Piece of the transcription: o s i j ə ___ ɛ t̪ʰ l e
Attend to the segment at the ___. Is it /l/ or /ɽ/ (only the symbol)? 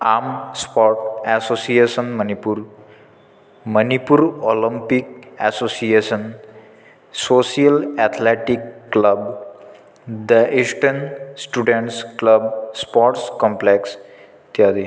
l